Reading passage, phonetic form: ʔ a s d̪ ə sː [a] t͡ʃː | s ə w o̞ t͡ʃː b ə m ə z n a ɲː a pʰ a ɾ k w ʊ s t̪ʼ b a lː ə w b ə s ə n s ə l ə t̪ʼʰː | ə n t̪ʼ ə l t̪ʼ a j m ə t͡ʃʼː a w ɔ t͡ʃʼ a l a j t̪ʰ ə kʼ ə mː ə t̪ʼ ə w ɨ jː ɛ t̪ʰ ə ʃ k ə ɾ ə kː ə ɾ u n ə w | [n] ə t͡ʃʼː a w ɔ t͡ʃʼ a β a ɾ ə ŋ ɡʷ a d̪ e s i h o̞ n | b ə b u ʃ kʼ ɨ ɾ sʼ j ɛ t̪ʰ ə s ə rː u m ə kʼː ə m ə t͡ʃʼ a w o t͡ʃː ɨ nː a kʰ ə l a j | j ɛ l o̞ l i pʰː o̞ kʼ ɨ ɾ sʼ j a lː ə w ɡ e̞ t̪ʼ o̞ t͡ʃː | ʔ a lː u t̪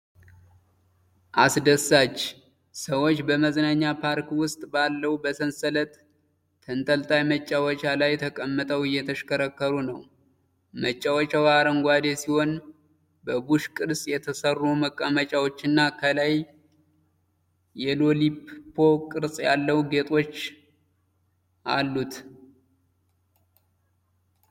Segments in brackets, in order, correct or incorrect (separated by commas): correct, incorrect